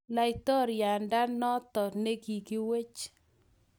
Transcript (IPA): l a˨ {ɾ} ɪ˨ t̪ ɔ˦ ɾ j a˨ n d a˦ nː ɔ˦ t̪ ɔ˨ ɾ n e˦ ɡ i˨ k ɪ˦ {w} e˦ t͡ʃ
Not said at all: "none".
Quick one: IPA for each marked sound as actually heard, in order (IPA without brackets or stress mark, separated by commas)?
none, w